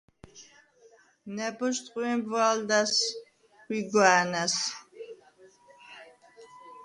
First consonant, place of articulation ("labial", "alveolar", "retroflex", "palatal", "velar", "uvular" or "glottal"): alveolar